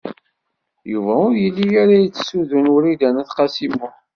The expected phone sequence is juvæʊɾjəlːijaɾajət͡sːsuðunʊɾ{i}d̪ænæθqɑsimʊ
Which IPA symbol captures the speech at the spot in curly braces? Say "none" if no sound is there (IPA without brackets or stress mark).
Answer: i